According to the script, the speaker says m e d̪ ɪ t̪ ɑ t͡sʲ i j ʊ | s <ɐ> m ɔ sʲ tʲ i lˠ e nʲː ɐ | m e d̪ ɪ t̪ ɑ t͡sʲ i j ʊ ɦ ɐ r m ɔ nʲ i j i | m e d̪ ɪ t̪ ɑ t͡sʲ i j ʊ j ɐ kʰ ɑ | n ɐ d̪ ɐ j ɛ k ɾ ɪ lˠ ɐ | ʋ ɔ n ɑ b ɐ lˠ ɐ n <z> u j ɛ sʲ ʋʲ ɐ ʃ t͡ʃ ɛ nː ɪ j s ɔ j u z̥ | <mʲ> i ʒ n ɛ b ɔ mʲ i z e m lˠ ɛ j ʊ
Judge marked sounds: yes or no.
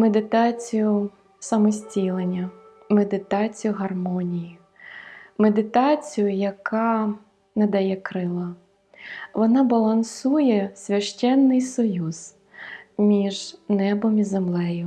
yes, no, yes

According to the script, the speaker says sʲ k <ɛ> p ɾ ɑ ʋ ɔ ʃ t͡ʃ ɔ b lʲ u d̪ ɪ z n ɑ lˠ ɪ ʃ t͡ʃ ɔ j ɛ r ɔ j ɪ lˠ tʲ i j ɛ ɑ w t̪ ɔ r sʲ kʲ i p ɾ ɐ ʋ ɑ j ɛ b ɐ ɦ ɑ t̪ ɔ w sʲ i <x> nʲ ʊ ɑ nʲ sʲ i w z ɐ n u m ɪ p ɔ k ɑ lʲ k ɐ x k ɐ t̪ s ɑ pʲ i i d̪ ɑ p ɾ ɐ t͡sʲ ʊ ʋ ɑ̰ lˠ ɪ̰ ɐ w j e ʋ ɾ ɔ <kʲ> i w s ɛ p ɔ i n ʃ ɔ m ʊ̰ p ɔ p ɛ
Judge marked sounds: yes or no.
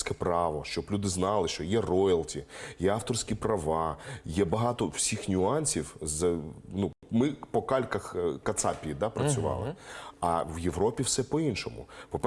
yes, yes, no

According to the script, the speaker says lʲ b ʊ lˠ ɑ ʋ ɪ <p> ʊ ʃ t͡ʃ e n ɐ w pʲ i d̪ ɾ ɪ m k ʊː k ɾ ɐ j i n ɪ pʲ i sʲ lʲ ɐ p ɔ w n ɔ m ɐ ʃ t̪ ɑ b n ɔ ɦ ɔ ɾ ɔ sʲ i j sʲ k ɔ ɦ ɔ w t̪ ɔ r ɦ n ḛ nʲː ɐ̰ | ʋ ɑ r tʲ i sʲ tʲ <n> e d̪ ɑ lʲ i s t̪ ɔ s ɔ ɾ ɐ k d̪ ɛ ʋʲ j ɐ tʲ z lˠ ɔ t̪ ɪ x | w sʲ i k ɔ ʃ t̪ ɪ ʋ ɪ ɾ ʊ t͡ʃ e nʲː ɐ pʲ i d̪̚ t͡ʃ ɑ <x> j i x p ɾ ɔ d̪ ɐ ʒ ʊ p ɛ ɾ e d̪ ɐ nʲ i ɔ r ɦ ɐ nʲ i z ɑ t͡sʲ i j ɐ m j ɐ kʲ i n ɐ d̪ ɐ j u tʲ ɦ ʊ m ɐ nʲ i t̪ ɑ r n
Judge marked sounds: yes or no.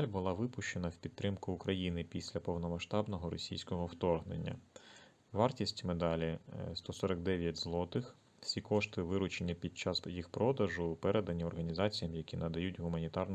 yes, no, no

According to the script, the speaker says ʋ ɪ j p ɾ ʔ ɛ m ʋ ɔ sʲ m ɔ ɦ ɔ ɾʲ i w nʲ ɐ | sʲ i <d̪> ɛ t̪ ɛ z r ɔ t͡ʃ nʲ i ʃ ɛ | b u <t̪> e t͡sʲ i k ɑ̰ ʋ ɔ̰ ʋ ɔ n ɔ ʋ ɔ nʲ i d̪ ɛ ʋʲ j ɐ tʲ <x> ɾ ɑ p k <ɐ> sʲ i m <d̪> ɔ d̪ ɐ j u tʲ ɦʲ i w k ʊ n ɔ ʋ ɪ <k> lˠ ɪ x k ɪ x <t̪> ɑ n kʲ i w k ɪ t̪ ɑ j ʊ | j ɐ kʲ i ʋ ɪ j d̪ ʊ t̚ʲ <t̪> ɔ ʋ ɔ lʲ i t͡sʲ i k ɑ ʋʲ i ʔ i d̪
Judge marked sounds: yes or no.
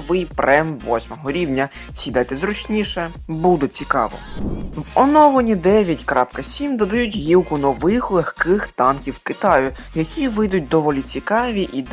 yes, no, no, yes, yes, no, yes, no

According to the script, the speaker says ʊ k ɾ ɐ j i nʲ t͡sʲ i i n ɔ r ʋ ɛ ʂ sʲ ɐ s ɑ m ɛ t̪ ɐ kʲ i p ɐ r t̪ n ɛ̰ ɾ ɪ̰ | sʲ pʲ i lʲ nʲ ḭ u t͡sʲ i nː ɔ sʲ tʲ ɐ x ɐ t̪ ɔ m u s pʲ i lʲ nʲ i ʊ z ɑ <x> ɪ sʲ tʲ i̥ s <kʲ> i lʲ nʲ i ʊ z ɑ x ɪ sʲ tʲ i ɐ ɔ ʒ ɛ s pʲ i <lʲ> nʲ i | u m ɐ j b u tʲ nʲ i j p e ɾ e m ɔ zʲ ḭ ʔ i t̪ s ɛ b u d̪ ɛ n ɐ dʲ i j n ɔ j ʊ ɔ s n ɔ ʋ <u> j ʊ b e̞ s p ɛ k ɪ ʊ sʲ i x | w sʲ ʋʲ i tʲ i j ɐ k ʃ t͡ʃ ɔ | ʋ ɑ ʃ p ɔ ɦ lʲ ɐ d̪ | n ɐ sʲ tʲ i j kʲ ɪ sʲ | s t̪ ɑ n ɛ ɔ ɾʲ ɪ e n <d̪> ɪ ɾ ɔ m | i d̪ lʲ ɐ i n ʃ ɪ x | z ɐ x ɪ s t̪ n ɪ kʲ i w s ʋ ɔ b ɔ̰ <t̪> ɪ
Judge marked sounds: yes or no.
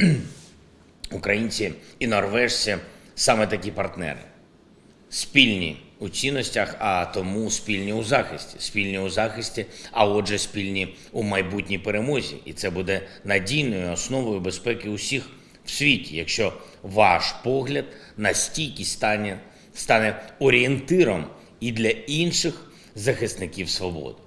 yes, no, yes, no, no, no

